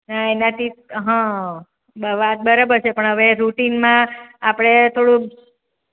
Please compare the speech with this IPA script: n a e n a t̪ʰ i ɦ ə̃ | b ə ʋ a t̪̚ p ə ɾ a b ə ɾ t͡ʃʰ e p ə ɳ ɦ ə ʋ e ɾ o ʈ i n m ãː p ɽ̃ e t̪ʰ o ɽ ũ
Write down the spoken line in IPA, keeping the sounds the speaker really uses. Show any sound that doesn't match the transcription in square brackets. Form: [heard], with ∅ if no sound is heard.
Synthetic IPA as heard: n a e n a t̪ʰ i ɦ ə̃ | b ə ʋ a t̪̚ [b] ə ɾ a b ə ɾ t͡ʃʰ e p ə ɳ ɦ ə ʋ e ɾ [u] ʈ i n m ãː p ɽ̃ e t̪ʰ o ɽ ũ